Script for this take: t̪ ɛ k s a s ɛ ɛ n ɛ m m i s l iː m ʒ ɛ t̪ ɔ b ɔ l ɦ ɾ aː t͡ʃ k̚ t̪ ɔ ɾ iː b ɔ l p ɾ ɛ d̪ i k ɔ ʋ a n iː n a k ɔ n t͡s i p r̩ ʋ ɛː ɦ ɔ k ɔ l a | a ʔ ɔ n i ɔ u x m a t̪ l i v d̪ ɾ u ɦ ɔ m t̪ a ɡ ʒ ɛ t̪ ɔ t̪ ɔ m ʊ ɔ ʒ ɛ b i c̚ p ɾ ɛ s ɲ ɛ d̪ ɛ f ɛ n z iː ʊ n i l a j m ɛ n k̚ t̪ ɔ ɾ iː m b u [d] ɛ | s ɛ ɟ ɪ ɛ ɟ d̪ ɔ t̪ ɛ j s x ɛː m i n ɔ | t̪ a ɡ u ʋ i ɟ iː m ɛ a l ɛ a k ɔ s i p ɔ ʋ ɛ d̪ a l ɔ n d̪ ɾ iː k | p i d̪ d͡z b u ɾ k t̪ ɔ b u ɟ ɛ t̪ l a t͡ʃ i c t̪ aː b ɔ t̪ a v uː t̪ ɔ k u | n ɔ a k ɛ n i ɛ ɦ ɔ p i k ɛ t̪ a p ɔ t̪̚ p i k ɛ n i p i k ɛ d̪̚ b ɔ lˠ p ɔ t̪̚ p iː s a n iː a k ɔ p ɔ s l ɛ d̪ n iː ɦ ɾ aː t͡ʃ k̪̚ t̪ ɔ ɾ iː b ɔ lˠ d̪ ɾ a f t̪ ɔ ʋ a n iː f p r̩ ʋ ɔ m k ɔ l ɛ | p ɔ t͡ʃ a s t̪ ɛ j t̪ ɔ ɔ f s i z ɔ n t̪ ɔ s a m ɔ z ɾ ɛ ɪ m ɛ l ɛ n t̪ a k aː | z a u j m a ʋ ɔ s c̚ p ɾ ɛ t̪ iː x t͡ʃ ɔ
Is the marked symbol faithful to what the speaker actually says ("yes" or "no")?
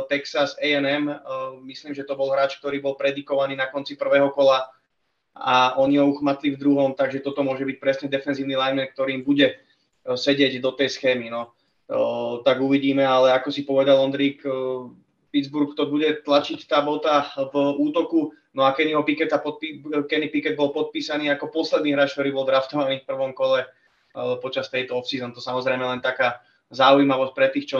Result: no